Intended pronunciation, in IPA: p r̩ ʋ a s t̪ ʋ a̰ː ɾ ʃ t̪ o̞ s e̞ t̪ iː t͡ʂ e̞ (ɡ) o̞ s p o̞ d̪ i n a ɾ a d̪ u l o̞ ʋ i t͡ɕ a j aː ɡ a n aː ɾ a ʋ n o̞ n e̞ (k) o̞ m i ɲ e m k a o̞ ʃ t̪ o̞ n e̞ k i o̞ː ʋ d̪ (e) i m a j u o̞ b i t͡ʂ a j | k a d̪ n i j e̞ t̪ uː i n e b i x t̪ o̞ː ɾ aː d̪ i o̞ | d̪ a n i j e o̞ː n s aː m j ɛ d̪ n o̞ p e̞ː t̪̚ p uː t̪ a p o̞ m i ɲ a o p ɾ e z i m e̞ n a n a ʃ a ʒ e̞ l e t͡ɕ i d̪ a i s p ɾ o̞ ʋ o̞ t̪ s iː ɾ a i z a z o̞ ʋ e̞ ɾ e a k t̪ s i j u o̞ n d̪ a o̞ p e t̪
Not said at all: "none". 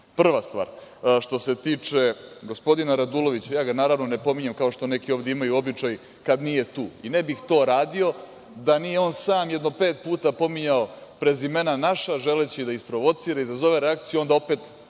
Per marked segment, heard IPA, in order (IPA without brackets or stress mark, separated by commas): ɡ, p, e